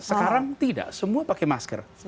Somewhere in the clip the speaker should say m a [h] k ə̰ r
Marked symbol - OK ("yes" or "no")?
no